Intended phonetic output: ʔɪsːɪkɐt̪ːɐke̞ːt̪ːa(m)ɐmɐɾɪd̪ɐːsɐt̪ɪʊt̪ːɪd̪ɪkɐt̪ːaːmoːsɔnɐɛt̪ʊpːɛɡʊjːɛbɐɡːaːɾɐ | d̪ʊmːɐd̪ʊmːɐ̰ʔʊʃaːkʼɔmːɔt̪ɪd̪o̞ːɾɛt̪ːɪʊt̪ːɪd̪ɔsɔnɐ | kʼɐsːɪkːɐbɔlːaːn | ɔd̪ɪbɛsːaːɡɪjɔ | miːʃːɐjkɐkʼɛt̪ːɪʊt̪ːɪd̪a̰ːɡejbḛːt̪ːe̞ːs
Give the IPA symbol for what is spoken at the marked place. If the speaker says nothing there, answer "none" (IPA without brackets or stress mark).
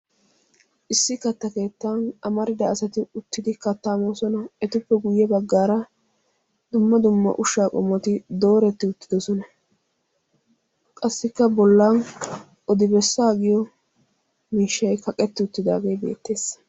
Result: n